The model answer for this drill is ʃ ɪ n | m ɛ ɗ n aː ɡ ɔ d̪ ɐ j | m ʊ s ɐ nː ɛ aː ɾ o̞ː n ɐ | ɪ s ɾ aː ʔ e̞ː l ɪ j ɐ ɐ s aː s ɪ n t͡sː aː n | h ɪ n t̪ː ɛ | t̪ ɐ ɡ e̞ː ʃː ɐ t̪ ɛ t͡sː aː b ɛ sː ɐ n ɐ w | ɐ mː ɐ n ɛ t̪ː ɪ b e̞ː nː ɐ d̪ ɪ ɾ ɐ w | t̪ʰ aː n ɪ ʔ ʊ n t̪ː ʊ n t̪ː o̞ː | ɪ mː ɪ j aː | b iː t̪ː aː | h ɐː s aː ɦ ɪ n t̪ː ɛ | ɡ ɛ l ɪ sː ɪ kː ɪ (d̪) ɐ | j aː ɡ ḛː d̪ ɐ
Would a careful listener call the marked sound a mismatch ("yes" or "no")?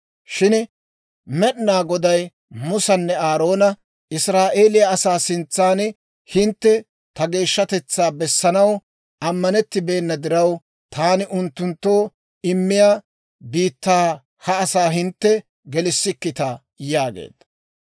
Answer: yes